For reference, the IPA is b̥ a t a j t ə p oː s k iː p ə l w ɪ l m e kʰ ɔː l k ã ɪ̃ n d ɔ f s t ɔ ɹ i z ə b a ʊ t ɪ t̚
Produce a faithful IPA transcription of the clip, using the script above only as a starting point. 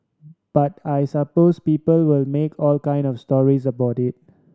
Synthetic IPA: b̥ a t a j s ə p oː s p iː p ə l w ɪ l m e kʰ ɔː l k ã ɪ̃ n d ɔ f s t ɔ ɹ i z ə b a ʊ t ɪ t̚